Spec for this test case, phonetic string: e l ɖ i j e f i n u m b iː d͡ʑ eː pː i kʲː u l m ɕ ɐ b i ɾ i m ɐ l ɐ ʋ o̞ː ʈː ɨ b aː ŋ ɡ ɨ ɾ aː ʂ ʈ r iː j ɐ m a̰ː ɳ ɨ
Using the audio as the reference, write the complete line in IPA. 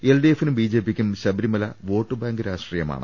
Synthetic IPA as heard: e l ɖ i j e f i n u m b iː d͡ʑ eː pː i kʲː u m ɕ ɐ b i ɾ i m ɐ l ɐ ʋ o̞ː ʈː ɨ b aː ŋ ɡ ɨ ɾ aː ʂ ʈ r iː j ɐ m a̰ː ɳ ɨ

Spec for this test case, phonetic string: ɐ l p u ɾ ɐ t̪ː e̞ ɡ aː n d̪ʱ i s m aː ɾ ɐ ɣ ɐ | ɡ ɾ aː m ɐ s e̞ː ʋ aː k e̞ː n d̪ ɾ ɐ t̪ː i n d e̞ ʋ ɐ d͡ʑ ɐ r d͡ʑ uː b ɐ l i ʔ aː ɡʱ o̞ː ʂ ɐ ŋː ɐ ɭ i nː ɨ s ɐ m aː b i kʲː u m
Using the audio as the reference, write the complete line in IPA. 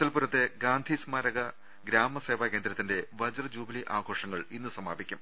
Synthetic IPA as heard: ɐ l p u ɾ ɐ t̪ː e̞ ɡ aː n d̪ʱ i s m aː ɾ ɐ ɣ ɐ | ɡ ɾ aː m ɐ s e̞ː ʋ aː k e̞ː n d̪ ɾ ɐ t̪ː i n d e̞ ʋ ɐ d͡ʑ ɐ r d͡ʑ uː b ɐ l i ʔ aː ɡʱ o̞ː ʂ ɐ ŋː ɐ ɭ i nː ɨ s ɐ m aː b i kʲː u m

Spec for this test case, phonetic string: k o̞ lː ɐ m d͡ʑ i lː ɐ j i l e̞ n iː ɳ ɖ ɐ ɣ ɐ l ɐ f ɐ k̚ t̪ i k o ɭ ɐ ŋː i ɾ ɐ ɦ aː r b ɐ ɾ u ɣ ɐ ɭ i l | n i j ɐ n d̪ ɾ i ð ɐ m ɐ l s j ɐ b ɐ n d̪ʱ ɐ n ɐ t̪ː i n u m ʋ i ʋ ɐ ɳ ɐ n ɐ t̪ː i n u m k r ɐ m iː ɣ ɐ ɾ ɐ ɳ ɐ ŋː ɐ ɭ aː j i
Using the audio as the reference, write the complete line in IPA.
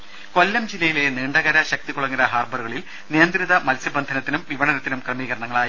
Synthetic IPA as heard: k o̞ lː ɐ m d͡ʑ i lː ɐ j i l e̞ n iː ɳ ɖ ɐ ɣ ɐ ɾ ɐ ɕ ɐ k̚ t̪ i k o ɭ ɐ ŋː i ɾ ɐ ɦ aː r b ɐ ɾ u ɣ ɐ ɭ i l | n i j ɐ n d̪ ɾ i ð ɐ m ɐ l s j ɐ b ɐ n d̪ʱ ɐ n ɐ t̪ː i n u m ʋ i ʋ ɐ ɳ ɐ n ɐ t̪ː i n u m k r ɐ m iː ɣ ɐ ɾ ɐ ɳ ɐ ŋː ɐ ɭ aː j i

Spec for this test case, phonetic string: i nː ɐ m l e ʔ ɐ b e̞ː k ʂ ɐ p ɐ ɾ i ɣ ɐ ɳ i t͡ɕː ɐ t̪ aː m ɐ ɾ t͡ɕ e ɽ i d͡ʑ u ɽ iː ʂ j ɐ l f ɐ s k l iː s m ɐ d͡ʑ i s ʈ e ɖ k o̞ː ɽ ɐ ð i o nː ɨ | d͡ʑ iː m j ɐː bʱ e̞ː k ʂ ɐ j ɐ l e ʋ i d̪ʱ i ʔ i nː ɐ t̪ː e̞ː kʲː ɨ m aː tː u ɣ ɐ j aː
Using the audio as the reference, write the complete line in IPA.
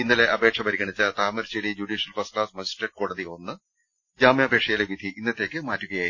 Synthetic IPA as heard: i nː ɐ l e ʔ ɐ b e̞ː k ʂ ɐ p ɐ ɾ i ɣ ɐ ɳ i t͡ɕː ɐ t̪ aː m ɐ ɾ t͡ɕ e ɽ i d͡ʑ u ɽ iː ʂ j ɐ l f ɐ s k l aː s m ɐ d͡ʑ i s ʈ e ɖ k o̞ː ɽ ɐ ð i o nː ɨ | d͡ʑ aː m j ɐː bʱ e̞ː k ʂ ɐ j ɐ l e ʋ i d̪ʱ i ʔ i nː ɐ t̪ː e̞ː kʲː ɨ m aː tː u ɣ ɐ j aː

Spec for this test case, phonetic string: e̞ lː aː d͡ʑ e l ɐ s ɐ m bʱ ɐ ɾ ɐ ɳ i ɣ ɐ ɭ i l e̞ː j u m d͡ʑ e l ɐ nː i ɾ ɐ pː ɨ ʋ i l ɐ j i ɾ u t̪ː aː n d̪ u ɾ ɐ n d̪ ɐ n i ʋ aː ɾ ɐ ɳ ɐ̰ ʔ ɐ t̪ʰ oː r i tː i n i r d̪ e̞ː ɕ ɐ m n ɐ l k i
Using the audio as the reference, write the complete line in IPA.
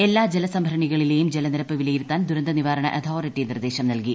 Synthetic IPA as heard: e̞ lː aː d͡ʑ e l ɐ s ɐ m bʱ ɐ ɾ ɐ ɳ i ɣ ɐ ɭ i l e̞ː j u m d͡ʑ e l ɐ n i ɾ ɐ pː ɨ ʋ i l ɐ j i ɾ u t̪ː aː n d̪ u ɾ ɐ n d̪ ɐ n i ʋ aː ɾ ɐ ɳ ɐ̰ ʔ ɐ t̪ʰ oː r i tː i n i r d̪ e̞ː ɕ ɐ m n ɐ l k i

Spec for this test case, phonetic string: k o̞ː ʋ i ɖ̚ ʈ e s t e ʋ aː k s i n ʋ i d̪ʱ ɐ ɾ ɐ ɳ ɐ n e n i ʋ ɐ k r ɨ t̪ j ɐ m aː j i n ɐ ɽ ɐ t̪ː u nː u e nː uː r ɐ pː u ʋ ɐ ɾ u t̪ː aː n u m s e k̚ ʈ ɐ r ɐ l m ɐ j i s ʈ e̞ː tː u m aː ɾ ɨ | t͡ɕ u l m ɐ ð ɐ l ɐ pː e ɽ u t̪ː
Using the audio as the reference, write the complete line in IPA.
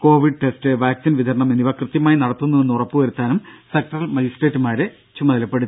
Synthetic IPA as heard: k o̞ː ʋ i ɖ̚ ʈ e s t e ʋ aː k s i n ʋ i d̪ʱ ɐ ɾ ɐ ɳ ɐ m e n i ʋ ɐ k r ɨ t̪ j ɐ m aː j i n ɐ ɽ ɐ t̪ː u nː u e nː u r ɐ pː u ʋ ɐ ɾ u t̪ː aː n u m s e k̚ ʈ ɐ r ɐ l m ɐ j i s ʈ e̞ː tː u m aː ɾ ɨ | t͡ɕ u m ɐ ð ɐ l ɐ pː e ɽ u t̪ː

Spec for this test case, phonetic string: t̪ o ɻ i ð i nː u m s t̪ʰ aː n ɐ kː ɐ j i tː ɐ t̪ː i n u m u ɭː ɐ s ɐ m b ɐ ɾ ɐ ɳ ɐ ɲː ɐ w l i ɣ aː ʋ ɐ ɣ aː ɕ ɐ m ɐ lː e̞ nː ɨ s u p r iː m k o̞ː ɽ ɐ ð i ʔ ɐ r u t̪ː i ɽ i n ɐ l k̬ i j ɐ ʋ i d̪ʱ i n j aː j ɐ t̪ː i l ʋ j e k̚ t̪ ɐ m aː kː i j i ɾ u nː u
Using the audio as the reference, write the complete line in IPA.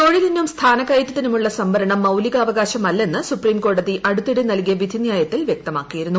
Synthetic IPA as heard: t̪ o ɻ i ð i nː u m s t̪ʰ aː n ɐ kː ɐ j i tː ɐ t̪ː i n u m u ɭː ɐ s ɐ m b ɐ ɾ ɐ ɳ ɐ mː ɐ w l i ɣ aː ʋ ɐ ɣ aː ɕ ɐ m ɐ lː e̞ nː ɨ s u p r iː m k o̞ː ɽ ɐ ð i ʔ ɐ ɽ u t̪ː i ɽ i n ɐ l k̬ i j ɐ ʋ i d̪ʱ i n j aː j ɐ t̪ː i l ʋ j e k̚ t̪ ɐ m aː kː i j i ɾ u nː u

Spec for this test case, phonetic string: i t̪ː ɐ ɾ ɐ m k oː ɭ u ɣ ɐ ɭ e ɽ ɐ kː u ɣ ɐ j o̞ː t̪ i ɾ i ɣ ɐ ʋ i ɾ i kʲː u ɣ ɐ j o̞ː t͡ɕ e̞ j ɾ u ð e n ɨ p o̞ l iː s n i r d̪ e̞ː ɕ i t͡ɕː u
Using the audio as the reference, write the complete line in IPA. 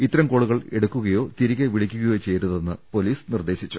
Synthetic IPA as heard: i t̪ː ɐ ɾ ɐ m k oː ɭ u ɣ ɐ ɭ e ɽ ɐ kː u ɣ ɐ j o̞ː t̪ i ɾ i ɣ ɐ ʋ i ɭ i kʲː u ɣ ɐ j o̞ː t͡ɕ e̞ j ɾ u ð e nː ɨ p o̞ l iː s n i r d̪ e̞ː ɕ i t͡ɕː u

